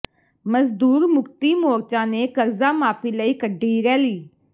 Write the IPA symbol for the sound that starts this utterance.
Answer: m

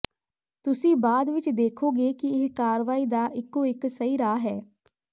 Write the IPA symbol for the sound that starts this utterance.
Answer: t̪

